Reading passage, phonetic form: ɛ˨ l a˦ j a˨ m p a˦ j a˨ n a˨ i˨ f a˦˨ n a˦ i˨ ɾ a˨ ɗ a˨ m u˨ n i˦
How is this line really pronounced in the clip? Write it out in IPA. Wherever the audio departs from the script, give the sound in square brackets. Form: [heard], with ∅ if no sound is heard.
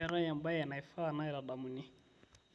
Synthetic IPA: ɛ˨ [ɾ] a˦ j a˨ m [b] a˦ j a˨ n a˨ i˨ f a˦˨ n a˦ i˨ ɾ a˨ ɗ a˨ m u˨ n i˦